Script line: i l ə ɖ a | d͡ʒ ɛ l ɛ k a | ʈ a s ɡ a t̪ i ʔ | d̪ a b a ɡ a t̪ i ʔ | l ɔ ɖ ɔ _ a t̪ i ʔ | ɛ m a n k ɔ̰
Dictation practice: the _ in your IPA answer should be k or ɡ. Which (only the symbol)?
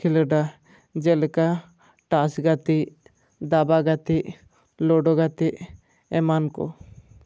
ɡ